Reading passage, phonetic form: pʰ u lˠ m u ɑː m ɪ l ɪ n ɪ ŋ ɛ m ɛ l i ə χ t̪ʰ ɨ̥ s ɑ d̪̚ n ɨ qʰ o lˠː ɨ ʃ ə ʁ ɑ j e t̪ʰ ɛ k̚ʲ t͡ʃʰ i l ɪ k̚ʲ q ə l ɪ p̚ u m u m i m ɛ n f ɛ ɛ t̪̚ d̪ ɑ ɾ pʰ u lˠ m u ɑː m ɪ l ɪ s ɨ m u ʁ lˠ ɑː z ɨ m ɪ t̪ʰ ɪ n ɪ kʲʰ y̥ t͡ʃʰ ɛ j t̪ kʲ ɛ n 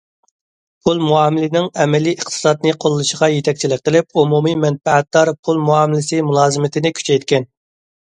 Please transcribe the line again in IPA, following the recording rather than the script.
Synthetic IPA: pʰ u lˠ m u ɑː m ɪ l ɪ n ɪ ŋ ɛ m ɛ l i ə χ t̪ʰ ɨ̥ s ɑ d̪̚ n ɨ qʰ o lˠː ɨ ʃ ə ʁ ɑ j e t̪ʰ ɛ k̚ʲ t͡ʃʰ i l ɪ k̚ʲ q ə l ɪ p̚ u m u m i m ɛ n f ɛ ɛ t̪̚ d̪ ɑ ɾ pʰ u lˠ m u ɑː m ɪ l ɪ s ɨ m u lˠ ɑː z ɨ m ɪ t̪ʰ ɪ n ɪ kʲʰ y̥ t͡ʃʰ ɛ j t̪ kʲ ɛ n